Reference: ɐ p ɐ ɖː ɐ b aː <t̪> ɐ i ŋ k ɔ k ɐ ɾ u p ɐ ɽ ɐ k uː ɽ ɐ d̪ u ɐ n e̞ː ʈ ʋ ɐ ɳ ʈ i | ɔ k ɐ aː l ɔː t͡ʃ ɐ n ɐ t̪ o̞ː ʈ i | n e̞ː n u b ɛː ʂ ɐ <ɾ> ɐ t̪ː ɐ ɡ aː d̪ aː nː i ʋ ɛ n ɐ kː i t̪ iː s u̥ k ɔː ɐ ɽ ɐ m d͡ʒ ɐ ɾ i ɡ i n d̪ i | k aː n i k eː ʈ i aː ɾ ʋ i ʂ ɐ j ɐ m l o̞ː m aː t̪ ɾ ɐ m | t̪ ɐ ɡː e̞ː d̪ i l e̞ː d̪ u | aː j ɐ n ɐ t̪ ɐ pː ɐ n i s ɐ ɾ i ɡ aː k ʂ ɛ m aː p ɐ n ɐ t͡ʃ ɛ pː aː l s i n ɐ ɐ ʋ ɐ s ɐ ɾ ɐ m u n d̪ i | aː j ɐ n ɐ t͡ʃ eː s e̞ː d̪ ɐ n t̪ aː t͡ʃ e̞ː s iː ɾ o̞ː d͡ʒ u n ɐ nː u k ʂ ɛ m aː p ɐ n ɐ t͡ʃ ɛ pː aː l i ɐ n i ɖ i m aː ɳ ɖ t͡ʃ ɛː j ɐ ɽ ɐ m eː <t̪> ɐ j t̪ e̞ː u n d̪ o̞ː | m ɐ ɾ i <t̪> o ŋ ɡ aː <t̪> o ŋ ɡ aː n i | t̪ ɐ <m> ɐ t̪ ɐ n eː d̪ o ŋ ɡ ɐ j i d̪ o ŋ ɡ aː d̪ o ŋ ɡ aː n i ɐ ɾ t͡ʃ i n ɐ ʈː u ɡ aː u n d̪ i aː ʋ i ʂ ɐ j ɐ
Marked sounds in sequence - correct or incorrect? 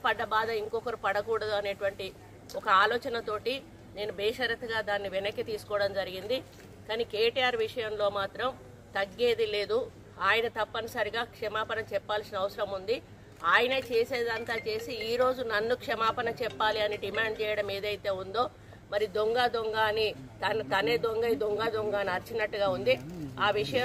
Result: incorrect: d̪, correct, incorrect: d̪, incorrect: d̪, incorrect: d̪, incorrect: n

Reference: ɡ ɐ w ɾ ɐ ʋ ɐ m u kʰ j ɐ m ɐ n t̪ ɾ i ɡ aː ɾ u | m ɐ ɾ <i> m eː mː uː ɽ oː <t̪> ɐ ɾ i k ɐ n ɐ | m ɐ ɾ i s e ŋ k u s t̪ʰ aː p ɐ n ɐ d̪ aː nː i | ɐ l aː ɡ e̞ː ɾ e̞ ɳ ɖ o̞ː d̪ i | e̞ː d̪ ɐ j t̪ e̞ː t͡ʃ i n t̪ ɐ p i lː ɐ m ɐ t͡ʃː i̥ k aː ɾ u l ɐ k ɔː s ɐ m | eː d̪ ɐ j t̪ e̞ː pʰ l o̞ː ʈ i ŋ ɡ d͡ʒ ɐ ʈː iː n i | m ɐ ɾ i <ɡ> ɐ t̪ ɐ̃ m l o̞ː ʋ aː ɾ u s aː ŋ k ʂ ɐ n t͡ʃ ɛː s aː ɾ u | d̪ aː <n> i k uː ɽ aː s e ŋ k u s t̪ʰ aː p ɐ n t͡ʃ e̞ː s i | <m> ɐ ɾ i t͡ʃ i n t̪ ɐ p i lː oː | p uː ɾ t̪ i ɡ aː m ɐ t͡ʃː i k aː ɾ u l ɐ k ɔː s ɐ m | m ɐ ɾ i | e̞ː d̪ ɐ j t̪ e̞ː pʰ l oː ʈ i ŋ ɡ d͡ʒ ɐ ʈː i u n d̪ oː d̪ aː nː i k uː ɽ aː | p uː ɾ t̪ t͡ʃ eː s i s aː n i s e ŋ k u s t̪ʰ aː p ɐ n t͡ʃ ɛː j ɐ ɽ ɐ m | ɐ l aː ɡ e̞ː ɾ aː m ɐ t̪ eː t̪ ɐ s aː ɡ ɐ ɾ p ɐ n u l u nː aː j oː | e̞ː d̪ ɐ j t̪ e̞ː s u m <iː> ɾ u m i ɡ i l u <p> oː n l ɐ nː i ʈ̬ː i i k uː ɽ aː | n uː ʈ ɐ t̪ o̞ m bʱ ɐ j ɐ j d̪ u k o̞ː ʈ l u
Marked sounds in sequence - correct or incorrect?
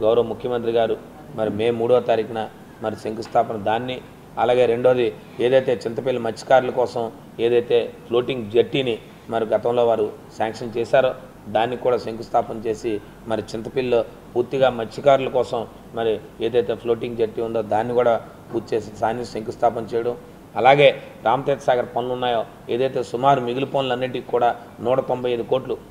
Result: correct, correct, correct, incorrect: nː, correct, incorrect: aː, correct

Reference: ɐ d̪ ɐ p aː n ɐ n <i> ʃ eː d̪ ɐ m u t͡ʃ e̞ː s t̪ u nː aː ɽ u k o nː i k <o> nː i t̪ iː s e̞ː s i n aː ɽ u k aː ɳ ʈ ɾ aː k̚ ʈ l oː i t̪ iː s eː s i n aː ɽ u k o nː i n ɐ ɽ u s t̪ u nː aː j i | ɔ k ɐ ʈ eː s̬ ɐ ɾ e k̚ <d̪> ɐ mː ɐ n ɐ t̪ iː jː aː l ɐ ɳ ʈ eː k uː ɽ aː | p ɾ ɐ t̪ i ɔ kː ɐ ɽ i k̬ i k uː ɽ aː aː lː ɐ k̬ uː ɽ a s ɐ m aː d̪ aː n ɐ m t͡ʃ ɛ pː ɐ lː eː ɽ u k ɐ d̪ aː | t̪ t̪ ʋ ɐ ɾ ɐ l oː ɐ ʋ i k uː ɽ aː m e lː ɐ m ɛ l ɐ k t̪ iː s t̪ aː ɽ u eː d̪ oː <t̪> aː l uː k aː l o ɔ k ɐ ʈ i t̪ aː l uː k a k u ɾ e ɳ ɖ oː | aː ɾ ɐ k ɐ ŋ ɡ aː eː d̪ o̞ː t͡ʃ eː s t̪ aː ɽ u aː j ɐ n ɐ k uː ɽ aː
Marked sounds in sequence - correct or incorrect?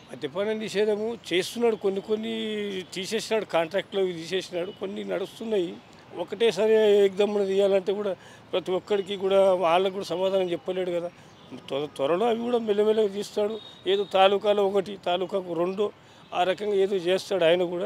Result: correct, correct, correct, correct

